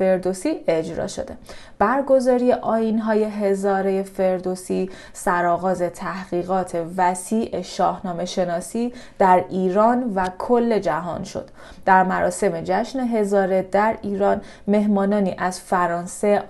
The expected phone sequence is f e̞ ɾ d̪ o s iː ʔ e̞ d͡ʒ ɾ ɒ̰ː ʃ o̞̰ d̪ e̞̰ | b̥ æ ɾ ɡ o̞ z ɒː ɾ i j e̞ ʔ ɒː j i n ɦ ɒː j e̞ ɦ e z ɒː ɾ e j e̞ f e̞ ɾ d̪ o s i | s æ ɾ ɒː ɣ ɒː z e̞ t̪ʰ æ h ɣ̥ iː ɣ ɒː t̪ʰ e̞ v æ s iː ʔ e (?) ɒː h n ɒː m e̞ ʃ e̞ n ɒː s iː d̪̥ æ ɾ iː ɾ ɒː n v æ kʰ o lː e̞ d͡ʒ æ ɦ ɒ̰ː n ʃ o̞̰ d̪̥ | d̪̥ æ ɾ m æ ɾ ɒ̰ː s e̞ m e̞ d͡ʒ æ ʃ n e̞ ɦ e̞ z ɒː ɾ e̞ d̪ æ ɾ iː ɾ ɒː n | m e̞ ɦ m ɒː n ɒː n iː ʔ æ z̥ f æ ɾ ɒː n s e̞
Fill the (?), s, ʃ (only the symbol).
ʃ